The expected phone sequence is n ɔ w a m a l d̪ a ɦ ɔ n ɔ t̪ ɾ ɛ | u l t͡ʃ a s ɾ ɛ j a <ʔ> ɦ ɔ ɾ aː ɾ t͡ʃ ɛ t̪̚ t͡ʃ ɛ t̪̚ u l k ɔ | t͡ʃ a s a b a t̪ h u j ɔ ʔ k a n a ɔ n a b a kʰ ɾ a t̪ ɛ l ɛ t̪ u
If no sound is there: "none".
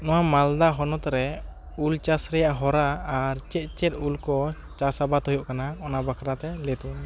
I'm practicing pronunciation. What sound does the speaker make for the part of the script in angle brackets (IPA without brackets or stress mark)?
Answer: ʔ